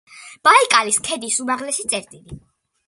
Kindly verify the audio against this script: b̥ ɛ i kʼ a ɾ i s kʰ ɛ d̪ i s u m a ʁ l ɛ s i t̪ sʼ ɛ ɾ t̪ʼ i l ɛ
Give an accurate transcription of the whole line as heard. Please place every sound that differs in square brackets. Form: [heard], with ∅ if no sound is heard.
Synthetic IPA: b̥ [a] i kʼ a [l] i s kʰ ɛ d̪ i s u m a ʁ l ɛ s i t̪ sʼ ɛ ɾ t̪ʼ i l [i]